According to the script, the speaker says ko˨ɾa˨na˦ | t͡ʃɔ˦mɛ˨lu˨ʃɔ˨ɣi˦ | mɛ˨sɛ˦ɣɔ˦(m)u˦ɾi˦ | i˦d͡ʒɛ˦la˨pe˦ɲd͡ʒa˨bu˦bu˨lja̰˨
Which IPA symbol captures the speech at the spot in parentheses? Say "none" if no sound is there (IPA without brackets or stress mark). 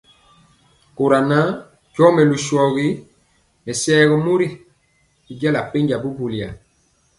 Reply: m